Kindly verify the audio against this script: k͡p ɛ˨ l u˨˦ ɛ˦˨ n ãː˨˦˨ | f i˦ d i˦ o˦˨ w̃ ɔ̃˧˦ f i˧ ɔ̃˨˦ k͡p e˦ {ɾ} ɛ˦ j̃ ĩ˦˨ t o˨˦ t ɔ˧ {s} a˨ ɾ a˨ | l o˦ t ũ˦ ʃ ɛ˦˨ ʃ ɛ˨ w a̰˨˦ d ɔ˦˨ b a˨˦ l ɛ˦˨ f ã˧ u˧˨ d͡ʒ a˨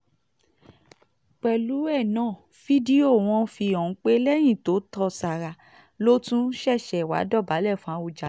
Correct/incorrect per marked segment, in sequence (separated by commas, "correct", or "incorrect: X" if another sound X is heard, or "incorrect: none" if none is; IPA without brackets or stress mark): incorrect: l, correct